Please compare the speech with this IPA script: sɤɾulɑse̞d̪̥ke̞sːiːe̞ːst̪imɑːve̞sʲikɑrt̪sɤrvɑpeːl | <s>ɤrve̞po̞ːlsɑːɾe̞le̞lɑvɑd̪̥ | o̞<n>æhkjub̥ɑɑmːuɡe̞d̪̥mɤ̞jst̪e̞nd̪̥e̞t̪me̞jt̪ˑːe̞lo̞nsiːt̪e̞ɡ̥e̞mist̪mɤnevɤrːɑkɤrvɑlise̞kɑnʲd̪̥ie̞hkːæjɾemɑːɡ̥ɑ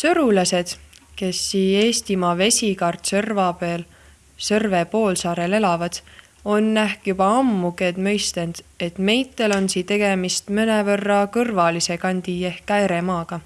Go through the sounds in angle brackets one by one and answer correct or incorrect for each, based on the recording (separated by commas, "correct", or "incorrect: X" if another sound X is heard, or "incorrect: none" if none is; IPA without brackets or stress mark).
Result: correct, incorrect: nː